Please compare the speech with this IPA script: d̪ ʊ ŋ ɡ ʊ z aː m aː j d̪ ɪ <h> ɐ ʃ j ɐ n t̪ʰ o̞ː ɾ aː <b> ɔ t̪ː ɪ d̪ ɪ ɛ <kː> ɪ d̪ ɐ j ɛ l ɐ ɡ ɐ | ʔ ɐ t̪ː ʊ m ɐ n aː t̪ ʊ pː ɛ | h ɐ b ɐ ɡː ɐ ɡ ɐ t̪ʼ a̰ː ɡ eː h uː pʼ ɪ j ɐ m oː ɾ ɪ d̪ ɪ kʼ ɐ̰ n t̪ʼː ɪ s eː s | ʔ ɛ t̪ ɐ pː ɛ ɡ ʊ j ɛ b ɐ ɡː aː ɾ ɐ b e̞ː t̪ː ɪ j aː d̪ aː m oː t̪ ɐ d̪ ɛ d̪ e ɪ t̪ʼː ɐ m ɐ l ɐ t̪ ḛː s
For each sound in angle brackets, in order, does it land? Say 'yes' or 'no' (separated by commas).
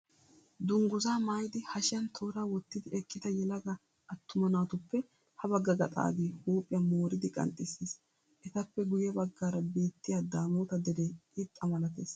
yes, no, yes